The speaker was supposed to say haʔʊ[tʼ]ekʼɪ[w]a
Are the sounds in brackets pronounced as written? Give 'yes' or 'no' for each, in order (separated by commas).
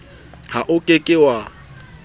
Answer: no, yes